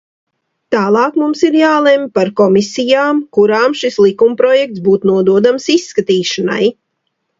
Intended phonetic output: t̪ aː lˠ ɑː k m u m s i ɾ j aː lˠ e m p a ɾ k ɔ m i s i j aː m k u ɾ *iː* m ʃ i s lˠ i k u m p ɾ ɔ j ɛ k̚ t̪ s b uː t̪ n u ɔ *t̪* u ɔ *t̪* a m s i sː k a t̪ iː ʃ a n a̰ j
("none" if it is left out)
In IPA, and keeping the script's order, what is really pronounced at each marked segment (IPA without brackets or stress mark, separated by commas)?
aː, d̪, d̪